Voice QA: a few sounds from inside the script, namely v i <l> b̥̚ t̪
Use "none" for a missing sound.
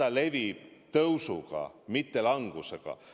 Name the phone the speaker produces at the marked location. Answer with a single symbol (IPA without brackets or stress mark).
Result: none